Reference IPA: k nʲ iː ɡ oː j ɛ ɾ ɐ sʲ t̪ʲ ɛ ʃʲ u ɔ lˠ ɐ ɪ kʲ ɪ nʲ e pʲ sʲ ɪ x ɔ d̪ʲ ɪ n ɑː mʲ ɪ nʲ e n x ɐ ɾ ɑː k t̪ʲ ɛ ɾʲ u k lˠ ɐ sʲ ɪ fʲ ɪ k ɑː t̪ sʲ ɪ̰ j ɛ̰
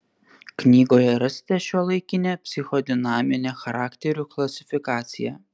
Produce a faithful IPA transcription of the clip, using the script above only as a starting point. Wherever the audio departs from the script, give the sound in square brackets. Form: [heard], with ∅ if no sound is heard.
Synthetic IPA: k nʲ iː ɡ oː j ɛ ɾ ɐ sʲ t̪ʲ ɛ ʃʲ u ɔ lˠ ɐ ɪ kʲ ɪ nʲ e pʲ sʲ ɪ x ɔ d̪ʲ ɪ n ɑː mʲ ɪ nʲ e [∅] x ɐ ɾ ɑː k t̪ʲ ɛ ɾʲ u k lˠ ɐ sʲ ɪ fʲ ɪ k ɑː t̪ sʲ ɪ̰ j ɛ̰